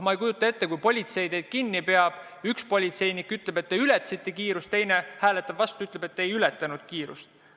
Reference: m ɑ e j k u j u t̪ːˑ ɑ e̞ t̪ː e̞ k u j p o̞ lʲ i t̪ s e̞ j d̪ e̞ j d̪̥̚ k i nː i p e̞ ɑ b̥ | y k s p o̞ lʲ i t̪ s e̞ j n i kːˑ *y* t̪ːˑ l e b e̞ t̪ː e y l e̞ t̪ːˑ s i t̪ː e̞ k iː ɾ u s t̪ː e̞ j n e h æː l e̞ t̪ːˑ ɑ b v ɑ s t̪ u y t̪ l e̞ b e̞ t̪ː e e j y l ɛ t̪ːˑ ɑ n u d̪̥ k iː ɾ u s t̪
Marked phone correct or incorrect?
correct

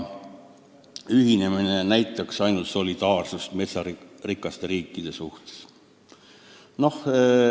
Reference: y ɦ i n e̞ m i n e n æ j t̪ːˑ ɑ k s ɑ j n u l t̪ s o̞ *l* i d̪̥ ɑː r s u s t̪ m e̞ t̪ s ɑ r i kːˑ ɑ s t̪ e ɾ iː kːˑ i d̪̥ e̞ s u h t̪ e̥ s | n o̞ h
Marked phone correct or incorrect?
correct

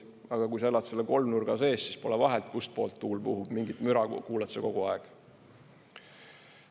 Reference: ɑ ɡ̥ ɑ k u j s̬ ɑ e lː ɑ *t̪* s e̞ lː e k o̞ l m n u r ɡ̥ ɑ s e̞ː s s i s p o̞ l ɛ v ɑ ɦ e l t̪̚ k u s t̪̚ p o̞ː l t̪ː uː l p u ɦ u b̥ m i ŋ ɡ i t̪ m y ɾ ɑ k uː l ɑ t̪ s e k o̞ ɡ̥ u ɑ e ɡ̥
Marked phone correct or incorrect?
correct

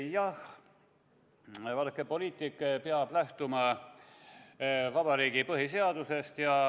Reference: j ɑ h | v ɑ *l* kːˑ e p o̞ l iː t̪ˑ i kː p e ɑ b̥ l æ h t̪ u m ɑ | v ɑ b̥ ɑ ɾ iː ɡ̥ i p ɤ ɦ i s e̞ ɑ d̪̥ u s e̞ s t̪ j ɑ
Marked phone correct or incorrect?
correct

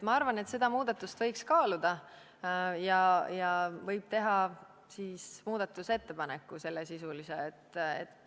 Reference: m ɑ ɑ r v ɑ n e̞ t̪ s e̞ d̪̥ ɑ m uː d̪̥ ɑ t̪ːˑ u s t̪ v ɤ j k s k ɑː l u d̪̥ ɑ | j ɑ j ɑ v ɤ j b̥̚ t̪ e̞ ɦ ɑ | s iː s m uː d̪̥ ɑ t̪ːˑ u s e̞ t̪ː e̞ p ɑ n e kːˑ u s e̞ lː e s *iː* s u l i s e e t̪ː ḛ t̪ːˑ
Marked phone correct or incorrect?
incorrect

